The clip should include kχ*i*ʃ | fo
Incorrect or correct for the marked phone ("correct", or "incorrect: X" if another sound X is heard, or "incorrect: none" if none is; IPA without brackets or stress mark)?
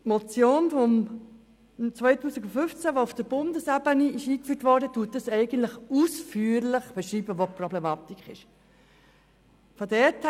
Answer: incorrect: ɪ